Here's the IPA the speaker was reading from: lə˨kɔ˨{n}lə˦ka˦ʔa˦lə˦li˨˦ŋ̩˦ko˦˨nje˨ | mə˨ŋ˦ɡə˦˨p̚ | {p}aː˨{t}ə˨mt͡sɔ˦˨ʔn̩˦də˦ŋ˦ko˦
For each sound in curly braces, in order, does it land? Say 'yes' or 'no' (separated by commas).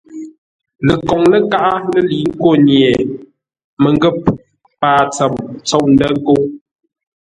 no, yes, no